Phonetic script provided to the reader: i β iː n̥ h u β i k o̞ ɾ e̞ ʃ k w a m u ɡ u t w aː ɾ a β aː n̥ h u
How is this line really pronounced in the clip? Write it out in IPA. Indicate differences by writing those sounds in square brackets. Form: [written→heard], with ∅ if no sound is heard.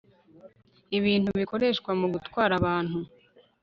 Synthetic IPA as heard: i β iː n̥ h u β i k o̞ ɾ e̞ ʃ k w a m u ɡ u t w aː ɾ a β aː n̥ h u